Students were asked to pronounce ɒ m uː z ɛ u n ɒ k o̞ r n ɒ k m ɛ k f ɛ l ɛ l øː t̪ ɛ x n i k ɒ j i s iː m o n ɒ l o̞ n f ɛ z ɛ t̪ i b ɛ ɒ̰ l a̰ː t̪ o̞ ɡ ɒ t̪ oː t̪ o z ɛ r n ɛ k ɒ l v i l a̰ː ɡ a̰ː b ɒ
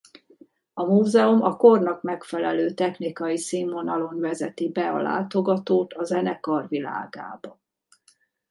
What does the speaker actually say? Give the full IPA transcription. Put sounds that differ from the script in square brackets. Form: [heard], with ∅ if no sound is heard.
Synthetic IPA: ɒ m uː z ɛ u [m] ɒ k o̞ r n ɒ k m ɛ k f ɛ l ɛ l øː t̪ ɛ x n i k ɒ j i s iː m o n ɒ l o̞ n [v] ɛ z ɛ t̪ i b ɛ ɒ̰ l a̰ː t̪ o̞ ɡ ɒ t̪ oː t̪ [ɒ] z ɛ [∅] n ɛ k ɒ [r] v i l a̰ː ɡ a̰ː b ɒ

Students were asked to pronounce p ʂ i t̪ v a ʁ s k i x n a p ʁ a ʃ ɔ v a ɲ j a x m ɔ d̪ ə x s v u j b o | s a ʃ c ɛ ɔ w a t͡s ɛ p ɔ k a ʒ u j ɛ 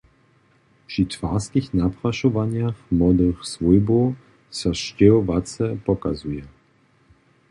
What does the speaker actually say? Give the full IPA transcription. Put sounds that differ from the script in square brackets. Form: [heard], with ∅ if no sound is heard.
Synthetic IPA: p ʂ i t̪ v a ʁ s k i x n a p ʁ a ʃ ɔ v a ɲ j a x m ɔ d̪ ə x s v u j b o | s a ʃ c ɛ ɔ [v] a t͡s ɛ p ɔ k a [z] u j ɛ

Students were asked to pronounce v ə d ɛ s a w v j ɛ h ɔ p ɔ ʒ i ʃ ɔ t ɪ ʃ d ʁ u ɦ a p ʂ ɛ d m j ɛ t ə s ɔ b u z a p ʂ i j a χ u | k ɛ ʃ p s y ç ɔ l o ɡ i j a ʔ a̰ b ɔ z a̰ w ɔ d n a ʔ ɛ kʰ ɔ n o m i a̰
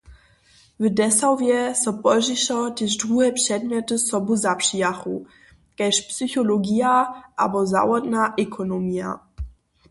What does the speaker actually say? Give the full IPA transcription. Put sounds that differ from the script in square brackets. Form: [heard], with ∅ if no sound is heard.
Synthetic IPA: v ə d ɛ s a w v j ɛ [s] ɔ p ɔ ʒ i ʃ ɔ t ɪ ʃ d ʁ u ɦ [ɛ] p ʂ ɛ d m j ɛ t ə s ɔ b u z a p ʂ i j a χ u | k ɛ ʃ p s y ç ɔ l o ɡ i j a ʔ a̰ b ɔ z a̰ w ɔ d n a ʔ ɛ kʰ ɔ n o m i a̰

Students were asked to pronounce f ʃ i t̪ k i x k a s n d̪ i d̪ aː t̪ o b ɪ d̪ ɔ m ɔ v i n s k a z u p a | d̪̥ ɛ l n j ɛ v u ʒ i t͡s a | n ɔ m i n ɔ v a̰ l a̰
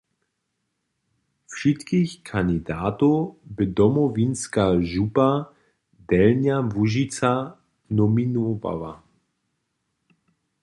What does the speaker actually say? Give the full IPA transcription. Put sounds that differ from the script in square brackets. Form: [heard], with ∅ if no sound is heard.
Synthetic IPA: f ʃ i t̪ k i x [kʰ] a [∅] n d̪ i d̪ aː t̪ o b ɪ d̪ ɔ m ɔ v i n s k a [ʒ] u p a | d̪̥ ɛ l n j [a] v u ʒ i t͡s a | n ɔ m i n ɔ v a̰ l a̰

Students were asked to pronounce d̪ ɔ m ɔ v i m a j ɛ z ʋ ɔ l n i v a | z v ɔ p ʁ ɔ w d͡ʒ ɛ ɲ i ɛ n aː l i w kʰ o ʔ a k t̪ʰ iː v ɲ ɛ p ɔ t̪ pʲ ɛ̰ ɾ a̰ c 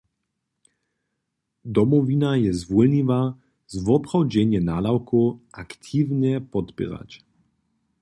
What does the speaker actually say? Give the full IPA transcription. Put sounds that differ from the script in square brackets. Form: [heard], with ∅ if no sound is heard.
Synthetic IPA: d̪ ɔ m ɔ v i [n] a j ɛ z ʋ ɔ l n i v a | z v ɔ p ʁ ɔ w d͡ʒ ɛ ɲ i ɛ n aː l [a] w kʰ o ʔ a k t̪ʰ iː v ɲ ɛ p ɔ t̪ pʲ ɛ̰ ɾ a̰ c

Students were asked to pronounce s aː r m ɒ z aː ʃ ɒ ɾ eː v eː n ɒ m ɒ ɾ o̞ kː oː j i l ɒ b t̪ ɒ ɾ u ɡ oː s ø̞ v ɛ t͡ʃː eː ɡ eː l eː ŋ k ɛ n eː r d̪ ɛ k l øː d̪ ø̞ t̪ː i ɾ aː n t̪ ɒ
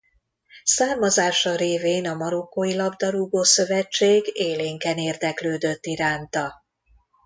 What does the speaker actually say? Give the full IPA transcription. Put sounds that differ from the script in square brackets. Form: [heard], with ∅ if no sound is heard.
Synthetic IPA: s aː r m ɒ z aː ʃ ɒ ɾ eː v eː n ɒ m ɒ ɾ o̞ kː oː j i l ɒ b [d̪] ɒ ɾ u ɡ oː s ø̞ v ɛ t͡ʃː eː ɡ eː l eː ŋ k ɛ n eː r d̪ ɛ k l øː d̪ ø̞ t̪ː i ɾ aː n t̪ ɒ

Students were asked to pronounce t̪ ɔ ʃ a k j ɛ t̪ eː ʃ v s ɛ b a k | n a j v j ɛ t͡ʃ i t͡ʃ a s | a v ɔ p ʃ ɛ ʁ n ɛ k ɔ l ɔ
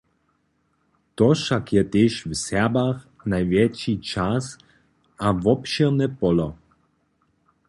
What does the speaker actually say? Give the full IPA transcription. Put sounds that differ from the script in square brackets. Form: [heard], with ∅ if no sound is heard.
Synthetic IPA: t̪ ɔ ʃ a k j ɛ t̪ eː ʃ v s ɛ b a [x] | n a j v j ɛ t͡ʃ i t͡ʃ a s | a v ɔ p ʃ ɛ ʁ n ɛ [p] ɔ l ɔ

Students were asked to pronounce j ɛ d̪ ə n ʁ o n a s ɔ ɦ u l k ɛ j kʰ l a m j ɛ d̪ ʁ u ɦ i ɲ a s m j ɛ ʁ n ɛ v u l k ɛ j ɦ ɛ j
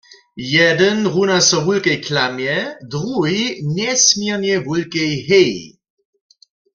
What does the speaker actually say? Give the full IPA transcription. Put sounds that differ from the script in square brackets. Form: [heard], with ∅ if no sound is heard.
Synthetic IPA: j ɛ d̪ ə n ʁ [u] n a s ɔ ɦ u l k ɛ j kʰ l a m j ɛ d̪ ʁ u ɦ i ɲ [ɛ] s m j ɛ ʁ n ɛ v u l k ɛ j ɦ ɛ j

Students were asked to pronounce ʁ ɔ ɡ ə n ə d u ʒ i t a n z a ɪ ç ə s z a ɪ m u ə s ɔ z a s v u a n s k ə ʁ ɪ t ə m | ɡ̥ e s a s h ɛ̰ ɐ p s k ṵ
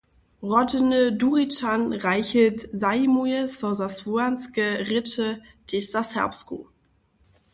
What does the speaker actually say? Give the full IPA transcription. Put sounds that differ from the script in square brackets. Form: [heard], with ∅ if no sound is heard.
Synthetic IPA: ʁ ɔ [d] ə n ə d u [ʁ] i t a n [ʁ] a ɪ ç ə [t] z a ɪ m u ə s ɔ z a s v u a n s k ə ʁ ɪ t ə [∅] | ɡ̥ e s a s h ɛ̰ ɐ p s k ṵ

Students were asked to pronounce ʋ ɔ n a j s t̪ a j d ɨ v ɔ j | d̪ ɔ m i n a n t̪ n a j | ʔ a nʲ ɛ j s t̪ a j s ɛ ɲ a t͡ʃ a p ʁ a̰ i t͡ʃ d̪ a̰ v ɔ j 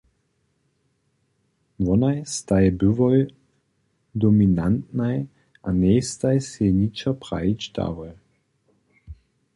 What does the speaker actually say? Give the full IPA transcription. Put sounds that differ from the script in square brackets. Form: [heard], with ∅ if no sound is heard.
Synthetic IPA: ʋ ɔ n a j s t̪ a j [b] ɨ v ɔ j | d̪ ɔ m i n a n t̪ n a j | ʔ a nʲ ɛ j s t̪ a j s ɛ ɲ [i] t͡ʃ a p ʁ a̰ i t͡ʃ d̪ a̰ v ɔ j

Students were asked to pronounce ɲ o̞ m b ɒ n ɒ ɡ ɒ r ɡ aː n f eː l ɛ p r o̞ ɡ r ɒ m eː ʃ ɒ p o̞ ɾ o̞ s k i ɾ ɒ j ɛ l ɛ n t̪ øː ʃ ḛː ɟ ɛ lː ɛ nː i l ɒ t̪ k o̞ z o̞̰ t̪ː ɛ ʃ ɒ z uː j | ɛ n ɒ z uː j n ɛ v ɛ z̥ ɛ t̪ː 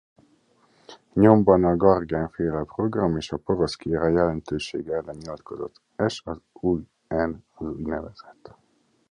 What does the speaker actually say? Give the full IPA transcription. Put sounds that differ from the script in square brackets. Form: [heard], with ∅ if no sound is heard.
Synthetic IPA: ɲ o̞ m b ɒ n ɒ ɡ ɒ r ɡ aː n f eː l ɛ p r o̞ ɡ r ɒ m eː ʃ ɒ p o̞ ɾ o̞ s k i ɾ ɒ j ɛ l ɛ n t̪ øː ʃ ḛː [ɡ] ɛ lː ɛ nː i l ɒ t̪ k o̞ z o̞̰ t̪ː ɛ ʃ ɒ z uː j | ɛ n ɒ z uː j n ɛ v ɛ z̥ ɛ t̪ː

